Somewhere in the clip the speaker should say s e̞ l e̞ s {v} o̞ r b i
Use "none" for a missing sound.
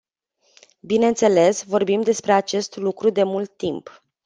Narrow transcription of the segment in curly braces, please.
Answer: v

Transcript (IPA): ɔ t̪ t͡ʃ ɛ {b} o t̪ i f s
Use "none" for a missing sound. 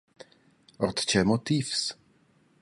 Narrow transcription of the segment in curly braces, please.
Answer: m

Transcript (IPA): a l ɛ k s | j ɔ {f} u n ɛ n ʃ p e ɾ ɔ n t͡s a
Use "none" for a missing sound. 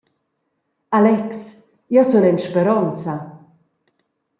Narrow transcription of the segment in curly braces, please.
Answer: s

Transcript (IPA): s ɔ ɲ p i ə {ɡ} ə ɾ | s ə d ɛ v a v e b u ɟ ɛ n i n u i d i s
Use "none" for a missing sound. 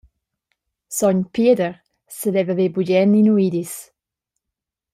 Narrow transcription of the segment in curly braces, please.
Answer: d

